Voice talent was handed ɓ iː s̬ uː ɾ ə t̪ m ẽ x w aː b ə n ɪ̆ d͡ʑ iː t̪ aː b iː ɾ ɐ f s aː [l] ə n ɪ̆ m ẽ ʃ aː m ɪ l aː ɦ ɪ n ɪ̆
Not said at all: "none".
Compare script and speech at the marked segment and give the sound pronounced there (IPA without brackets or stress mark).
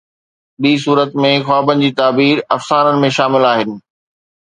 ɾ